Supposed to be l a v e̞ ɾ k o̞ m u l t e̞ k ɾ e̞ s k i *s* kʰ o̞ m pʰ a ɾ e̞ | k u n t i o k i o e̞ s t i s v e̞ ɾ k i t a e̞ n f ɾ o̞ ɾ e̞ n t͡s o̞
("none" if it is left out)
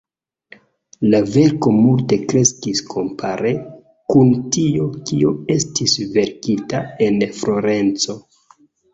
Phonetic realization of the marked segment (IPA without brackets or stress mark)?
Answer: s